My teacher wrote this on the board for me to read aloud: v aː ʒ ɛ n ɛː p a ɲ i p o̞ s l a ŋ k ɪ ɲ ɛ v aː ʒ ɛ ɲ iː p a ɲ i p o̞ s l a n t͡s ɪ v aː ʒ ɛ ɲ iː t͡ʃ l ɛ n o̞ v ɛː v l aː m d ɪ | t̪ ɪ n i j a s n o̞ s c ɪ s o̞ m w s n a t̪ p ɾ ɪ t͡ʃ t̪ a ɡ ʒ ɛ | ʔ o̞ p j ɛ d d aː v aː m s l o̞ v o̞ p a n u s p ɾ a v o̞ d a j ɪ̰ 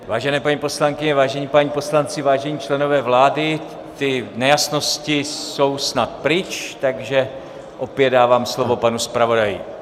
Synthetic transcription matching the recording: v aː ʒ ɛ n ɛː p a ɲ i p o̞ s l a ŋ k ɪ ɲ ɛ v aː ʒ ɛ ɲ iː p a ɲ i p o̞ s l a n t͡s ɪ v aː ʒ ɛ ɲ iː t͡ʃ l ɛ n o̞ v ɛː v l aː d ɪ | t̪ ɪ n ɛ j a s n o̞ s c ɪ s o̞ w s n a t̪ p ɾ ɪ t͡ʃ t̪ a ɡ ʒ ɛ | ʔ o̞ p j ɛ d d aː v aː m s l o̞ v o̞ p a n u s p ɾ a v o̞ d a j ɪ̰